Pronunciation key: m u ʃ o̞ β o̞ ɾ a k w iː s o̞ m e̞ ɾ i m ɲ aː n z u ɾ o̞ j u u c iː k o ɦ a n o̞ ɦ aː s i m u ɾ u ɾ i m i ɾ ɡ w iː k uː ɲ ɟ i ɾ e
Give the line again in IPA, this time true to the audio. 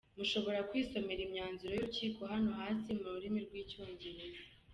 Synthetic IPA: m u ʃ o̞ β o̞ ɾ a k w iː s o̞ m e̞ ɾ i m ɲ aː n z u ɾ o̞ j u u c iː k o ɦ a n o̞ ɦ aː s i m u ɾ u ɾ i m i ɾ ɡ w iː c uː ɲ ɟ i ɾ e